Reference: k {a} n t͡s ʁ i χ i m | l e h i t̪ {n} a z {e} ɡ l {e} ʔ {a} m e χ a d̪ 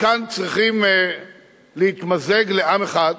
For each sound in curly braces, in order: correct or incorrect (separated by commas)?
correct, incorrect, correct, correct, correct